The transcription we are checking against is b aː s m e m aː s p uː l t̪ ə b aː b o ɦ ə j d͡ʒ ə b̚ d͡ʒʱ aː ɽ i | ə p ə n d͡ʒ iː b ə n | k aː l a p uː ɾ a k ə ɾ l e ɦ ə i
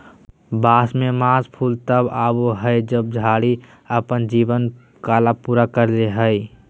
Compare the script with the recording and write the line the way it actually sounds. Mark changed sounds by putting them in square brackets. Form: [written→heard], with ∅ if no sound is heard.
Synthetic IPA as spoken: b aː s m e m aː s [p→pʰ] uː l t̪ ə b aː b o ɦ ə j d͡ʒ ə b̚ d͡ʒʱ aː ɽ i | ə p ə n d͡ʒ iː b ə n | k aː l a p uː ɾ a k ə ɾ l e ɦ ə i